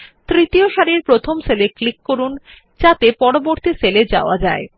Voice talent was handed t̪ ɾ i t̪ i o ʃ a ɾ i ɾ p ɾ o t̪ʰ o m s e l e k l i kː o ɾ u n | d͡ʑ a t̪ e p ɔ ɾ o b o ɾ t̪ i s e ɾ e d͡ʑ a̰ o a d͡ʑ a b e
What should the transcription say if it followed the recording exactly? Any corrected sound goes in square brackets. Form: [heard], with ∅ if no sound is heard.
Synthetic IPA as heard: t̪ ɾ i t̪ i o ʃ a ɾ i ɾ p ɾ o t̪ʰ o m s e l e k l i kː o ɾ u n | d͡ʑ a t̪ e p ɔ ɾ o b o ɾ t̪ i s e [l] e d͡ʑ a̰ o a d͡ʑ a [∅] e